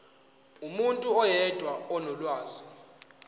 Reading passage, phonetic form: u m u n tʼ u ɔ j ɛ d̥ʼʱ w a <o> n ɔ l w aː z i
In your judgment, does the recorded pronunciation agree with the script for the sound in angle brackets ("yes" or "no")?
no